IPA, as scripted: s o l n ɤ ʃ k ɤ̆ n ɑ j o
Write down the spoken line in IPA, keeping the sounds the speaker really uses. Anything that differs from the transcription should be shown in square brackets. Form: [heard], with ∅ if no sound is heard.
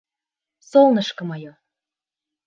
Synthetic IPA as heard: s o l n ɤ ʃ k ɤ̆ [m] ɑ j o